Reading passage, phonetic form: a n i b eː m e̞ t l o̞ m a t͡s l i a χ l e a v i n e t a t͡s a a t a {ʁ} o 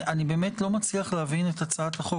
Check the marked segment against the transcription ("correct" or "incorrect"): incorrect